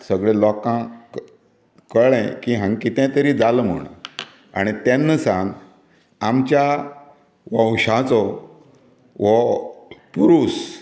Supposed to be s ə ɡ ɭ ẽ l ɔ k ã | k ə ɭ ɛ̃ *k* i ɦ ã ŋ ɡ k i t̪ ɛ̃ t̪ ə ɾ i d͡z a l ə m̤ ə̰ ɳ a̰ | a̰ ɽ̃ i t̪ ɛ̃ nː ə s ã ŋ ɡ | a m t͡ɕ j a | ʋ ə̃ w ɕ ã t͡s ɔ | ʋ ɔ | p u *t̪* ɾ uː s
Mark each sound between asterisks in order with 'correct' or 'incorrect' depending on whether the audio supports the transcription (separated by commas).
correct, incorrect